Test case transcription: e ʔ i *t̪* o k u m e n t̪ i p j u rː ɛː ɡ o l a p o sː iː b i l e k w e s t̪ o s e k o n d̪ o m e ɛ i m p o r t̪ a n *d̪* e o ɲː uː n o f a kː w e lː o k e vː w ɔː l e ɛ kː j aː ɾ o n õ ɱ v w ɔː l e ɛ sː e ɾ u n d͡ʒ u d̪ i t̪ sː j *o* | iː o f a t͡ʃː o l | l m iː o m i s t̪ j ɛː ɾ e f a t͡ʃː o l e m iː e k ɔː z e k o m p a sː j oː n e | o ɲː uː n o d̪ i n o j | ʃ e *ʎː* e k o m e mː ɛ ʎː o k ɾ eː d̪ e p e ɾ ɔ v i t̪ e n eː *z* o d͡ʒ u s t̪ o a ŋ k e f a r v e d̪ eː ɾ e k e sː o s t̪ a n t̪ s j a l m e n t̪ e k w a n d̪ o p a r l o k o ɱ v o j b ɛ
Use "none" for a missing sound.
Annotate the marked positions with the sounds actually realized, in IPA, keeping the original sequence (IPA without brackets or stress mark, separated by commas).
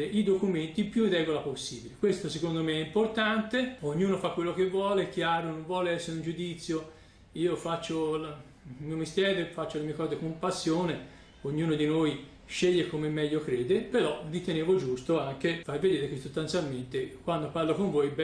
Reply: d̪, t̪, o, ʎː, v